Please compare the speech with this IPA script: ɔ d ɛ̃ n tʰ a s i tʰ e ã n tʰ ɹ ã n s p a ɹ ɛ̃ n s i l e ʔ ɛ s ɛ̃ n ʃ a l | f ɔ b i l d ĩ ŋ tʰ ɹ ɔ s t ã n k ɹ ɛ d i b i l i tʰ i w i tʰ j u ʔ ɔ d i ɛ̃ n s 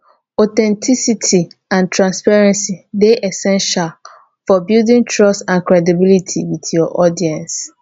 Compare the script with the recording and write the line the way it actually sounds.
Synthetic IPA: ɔ t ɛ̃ n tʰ i s i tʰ i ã n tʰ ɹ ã n s p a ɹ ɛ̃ n s i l e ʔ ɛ s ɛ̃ n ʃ a l | f ɔ b i l d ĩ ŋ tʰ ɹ ɔ s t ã n k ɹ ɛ d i b i l i tʰ i w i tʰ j ɔ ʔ ɔ d i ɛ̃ n s